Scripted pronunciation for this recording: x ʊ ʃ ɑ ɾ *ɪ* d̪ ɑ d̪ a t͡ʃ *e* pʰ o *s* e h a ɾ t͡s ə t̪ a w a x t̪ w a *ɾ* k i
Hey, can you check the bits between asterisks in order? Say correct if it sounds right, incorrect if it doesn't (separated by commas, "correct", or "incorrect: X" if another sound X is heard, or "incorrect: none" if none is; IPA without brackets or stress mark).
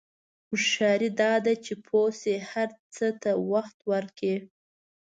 incorrect: i, correct, correct, correct